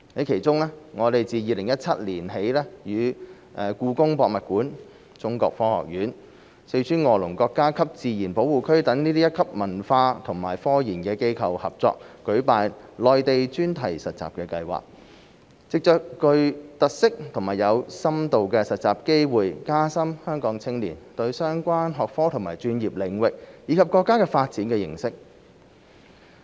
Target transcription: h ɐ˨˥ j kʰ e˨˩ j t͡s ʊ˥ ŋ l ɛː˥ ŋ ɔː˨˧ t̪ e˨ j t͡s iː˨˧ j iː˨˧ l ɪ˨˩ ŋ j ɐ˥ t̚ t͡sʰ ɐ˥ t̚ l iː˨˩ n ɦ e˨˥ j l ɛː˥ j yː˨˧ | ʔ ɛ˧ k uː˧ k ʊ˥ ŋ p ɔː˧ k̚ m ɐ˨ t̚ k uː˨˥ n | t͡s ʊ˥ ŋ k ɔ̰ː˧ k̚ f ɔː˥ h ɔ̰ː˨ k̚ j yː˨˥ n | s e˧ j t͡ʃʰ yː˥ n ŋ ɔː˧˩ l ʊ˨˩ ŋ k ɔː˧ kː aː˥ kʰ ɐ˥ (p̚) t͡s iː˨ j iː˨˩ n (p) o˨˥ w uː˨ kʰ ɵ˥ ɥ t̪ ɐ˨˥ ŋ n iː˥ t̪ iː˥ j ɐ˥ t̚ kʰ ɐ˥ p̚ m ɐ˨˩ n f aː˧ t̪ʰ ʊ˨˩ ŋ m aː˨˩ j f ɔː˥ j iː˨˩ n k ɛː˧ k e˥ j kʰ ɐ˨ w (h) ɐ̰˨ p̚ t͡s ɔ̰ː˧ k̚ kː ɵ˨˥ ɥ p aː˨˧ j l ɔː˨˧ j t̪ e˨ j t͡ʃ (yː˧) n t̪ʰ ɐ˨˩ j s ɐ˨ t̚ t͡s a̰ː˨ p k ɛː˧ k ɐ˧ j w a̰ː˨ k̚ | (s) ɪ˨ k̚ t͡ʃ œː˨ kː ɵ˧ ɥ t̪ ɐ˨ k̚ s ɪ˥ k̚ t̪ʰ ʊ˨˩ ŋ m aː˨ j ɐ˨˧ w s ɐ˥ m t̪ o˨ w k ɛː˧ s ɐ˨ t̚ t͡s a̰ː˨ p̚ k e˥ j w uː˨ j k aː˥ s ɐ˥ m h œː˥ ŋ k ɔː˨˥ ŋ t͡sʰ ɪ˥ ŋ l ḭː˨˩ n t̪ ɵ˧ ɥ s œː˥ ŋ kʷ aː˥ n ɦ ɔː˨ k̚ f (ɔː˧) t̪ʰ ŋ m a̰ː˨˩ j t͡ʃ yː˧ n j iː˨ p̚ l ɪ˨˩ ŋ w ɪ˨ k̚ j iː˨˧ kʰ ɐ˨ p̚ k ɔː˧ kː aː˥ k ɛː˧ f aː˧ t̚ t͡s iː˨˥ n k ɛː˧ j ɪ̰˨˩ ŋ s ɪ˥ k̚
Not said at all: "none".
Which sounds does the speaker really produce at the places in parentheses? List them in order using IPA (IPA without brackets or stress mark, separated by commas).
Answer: p̚, p, h, yː˥, t͡s, ɔː˥